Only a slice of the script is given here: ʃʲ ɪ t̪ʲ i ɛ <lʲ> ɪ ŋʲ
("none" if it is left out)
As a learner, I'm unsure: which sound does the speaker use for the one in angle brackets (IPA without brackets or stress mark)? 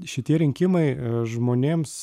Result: ɾʲ